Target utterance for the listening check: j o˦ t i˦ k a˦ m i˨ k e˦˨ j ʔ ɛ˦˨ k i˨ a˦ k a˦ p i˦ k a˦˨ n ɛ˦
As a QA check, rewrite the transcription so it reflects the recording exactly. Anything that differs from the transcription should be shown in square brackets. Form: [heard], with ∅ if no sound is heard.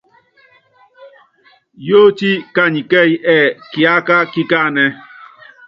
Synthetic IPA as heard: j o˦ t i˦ k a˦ [ɲ] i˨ k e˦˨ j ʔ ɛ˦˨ k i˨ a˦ k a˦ [k] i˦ k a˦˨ n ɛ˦